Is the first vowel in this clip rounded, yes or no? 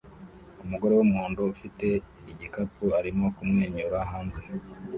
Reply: yes